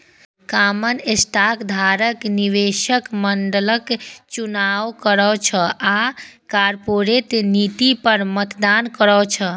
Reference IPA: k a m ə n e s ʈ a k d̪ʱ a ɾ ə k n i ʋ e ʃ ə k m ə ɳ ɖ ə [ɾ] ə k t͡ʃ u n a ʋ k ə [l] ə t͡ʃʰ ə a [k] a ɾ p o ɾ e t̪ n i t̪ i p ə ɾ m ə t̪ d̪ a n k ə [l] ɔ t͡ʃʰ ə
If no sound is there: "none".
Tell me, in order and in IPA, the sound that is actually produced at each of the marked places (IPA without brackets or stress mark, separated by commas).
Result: l, ɾ, k, ɾ